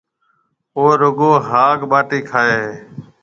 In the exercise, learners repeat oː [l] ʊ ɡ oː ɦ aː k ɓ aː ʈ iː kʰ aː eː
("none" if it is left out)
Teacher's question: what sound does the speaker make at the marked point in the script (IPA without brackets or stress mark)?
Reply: ɾ